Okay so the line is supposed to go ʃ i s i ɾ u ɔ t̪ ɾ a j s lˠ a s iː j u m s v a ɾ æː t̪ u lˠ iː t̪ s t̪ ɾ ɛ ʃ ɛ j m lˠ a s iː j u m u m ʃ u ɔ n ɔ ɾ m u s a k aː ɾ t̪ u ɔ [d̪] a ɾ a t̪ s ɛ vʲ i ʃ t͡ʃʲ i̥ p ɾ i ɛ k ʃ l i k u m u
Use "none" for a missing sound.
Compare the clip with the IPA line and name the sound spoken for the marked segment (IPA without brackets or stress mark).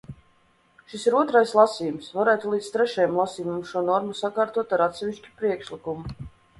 t̪